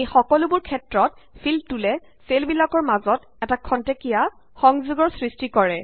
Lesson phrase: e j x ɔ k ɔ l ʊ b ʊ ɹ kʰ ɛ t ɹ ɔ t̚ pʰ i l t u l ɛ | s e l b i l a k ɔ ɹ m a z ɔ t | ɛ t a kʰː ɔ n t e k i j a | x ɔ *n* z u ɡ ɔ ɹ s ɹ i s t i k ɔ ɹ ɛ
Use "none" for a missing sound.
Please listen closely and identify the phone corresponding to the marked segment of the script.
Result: ŋ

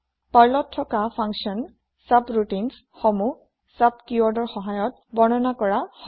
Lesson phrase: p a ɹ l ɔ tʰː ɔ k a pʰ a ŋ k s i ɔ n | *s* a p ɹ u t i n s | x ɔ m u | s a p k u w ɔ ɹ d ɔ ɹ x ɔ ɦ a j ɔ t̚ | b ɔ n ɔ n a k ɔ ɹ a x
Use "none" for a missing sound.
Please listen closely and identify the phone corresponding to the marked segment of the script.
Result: s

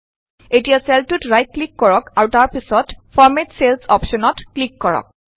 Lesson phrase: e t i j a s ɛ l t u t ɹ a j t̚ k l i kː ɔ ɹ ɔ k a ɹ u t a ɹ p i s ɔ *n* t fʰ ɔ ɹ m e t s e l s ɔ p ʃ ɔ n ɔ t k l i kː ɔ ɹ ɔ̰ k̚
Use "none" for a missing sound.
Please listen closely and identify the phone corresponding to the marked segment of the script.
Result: none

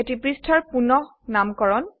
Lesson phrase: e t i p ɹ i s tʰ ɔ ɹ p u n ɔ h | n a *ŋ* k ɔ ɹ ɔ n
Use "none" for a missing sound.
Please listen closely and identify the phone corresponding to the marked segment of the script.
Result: m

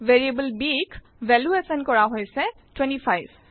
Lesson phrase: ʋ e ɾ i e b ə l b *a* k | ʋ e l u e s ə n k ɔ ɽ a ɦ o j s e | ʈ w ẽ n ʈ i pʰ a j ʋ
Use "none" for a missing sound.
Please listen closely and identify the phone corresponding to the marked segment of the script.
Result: i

